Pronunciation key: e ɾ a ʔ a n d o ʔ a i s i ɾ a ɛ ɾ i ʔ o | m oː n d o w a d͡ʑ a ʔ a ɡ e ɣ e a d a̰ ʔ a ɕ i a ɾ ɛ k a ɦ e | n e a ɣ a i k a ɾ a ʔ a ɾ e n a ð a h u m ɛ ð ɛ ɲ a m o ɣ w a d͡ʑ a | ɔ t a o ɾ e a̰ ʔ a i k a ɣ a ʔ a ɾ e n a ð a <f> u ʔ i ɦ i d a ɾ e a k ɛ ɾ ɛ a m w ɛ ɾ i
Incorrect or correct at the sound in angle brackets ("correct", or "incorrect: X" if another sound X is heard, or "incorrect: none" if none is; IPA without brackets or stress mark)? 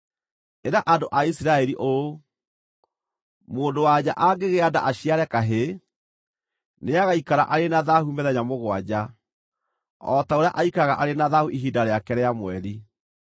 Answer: incorrect: h